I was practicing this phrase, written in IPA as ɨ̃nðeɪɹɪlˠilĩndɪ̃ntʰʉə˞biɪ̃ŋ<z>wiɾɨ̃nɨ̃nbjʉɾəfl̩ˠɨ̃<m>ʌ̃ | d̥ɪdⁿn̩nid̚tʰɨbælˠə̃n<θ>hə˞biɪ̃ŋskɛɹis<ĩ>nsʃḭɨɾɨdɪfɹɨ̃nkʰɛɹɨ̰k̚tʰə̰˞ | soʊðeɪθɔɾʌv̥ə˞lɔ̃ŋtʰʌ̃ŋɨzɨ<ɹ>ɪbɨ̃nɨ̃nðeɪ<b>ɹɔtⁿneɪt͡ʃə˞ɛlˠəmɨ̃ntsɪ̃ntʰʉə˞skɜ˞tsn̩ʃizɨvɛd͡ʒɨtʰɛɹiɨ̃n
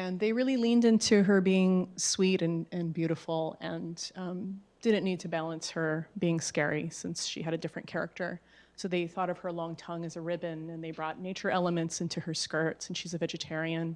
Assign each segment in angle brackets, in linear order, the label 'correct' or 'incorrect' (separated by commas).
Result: incorrect, incorrect, incorrect, incorrect, correct, correct